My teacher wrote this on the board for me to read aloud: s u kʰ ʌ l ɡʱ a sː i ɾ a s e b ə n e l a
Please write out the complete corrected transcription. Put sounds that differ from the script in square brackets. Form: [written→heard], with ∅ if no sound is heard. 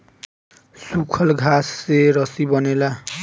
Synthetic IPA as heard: s u kʰ ʌ l ɡʱ a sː [i→e] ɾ [a→ʌ] s [e→i] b [ə→ʌ] n e l a